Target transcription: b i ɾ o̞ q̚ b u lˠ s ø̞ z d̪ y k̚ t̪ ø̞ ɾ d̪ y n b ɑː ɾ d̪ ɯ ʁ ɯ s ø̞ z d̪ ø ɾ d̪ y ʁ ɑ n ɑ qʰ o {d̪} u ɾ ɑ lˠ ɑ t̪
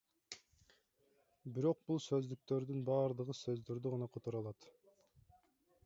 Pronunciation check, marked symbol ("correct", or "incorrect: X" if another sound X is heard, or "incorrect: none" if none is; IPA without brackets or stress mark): incorrect: t̪